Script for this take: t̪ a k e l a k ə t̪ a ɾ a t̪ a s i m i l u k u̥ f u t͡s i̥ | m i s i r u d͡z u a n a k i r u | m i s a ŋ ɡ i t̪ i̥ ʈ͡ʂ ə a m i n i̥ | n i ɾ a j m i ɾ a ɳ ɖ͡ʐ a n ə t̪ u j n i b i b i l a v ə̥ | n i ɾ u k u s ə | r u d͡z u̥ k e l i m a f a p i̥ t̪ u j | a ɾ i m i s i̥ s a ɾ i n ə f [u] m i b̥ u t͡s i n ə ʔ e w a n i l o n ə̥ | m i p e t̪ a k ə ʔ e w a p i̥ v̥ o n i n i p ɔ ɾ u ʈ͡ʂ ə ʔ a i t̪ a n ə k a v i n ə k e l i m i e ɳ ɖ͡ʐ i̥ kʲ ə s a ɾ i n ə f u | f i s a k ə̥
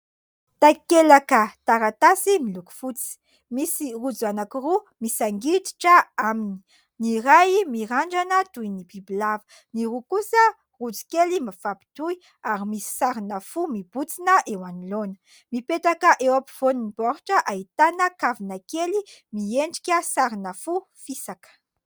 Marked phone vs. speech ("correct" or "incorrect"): correct